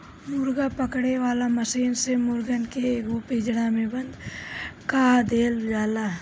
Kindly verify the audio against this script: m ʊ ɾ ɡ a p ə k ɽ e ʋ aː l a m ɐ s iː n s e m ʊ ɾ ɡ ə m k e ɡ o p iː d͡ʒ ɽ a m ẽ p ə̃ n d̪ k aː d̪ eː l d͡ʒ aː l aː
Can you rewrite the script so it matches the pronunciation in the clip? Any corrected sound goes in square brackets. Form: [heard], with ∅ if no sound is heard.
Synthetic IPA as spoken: m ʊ ɾ ɡ a p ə k ɽ e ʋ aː l a m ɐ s iː n s e m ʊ ɾ ɡ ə [n] k e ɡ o p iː d͡ʒ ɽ a m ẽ [b] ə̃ n d̪ k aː d̪ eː l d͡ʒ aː l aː